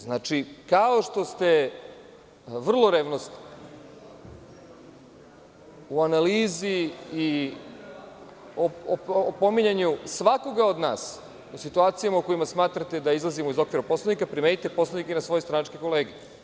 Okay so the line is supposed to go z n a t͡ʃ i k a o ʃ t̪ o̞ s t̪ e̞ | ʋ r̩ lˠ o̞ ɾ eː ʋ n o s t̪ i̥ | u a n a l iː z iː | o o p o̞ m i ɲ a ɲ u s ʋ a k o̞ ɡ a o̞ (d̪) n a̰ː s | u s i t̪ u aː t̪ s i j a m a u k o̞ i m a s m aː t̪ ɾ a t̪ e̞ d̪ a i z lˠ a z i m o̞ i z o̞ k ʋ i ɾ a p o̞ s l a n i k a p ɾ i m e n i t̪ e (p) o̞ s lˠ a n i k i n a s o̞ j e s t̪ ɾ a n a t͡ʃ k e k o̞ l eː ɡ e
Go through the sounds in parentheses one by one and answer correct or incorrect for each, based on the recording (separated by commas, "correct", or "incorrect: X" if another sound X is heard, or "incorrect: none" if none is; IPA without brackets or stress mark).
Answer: correct, correct